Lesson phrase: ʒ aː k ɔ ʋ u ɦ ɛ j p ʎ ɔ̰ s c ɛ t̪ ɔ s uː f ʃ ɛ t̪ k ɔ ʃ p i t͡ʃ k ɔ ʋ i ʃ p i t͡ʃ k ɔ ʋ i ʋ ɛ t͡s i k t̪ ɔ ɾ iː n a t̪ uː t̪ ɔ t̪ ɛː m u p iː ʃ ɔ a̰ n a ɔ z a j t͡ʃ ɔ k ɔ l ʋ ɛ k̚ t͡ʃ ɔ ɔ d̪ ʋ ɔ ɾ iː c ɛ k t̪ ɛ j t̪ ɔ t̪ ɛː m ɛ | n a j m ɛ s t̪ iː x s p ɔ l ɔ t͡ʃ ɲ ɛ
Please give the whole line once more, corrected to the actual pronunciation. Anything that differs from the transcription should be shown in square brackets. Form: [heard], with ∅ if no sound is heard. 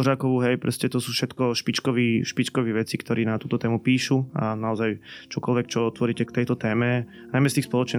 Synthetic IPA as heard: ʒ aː k ɔ ʋ u ɦ ɛ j p [ɾ] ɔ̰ s c ɛ t̪ ɔ s uː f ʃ ɛ t̪ k ɔ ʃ p i t͡ʃ k ɔ ʋ i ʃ p i t͡ʃ k ɔ ʋ i ʋ ɛ t͡s i k t̪ ɔ ɾ iː n a t̪ uː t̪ ɔ t̪ ɛː m u p iː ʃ [u] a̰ n a ɔ z a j t͡ʃ ɔ k ɔ l ʋ ɛ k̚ t͡ʃ ɔ ɔ [t̪] ʋ ɔ ɾ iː c ɛ k t̪ ɛ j t̪ ɔ t̪ ɛː m ɛ | n a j m ɛ s t̪ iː x s p ɔ l ɔ t͡ʃ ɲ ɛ